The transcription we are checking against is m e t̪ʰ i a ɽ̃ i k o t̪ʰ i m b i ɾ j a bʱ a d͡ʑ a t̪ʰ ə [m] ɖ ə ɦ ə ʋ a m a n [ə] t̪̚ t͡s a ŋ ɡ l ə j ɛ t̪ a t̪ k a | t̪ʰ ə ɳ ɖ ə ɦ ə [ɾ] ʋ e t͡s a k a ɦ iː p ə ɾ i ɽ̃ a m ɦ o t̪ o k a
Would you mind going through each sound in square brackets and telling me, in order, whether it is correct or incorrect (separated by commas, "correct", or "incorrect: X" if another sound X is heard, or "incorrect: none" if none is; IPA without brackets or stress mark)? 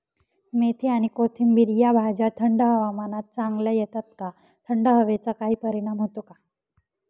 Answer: incorrect: ɳ, incorrect: a, incorrect: none